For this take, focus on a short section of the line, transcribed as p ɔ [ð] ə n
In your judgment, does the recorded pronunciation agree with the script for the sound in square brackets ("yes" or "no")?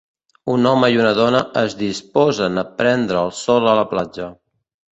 no